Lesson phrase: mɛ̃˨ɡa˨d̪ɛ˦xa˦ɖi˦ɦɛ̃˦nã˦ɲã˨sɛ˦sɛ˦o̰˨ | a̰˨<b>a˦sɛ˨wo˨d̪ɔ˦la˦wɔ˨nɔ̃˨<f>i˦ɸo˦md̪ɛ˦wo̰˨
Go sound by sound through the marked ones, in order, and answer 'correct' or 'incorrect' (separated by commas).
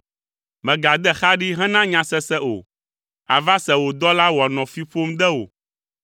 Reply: incorrect, correct